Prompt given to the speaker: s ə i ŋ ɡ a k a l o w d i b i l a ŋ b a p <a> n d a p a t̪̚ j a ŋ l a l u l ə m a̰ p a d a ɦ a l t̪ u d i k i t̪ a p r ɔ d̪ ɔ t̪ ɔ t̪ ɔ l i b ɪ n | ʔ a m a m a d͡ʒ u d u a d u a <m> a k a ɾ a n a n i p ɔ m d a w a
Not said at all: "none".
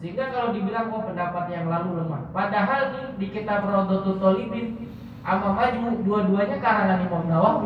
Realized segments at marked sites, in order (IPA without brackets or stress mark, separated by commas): ə, ɲ